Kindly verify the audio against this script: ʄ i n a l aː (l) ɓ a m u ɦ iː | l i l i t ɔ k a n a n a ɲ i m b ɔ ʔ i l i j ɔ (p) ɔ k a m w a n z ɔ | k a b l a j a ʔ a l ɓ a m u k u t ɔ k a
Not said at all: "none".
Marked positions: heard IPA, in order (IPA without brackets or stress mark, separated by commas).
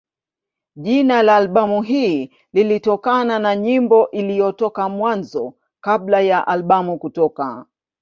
l, t